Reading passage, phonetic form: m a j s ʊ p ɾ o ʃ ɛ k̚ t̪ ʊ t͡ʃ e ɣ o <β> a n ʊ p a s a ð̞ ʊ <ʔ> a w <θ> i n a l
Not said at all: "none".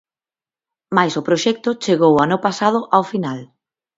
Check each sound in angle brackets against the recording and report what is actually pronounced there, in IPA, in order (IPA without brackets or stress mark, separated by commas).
w, ʔ, f